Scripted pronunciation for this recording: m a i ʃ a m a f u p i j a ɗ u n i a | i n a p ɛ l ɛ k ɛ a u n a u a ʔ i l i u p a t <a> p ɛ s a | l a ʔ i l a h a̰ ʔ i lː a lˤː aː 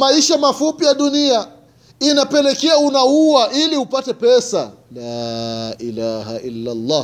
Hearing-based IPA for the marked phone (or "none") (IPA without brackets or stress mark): ɛ